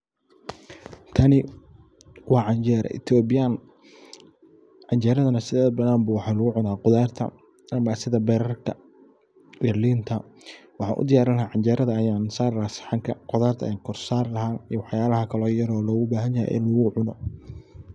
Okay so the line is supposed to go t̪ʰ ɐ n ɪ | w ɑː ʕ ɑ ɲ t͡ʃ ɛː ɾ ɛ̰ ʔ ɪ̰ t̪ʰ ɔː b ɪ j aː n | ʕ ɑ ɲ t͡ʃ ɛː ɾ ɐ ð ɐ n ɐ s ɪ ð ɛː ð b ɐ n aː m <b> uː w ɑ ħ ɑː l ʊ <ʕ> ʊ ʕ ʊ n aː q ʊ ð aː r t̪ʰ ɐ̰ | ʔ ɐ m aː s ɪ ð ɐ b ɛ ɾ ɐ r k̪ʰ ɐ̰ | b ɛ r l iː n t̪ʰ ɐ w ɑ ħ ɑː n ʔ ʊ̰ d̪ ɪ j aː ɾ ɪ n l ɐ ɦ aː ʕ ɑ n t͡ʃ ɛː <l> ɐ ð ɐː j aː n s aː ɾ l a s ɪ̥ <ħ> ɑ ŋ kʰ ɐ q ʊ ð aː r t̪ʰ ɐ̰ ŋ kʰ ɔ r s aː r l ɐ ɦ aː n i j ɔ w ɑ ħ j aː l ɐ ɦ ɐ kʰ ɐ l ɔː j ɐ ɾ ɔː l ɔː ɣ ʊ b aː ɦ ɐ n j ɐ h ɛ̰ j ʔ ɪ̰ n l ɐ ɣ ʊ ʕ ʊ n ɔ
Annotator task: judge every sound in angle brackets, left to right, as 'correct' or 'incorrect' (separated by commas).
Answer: correct, incorrect, incorrect, correct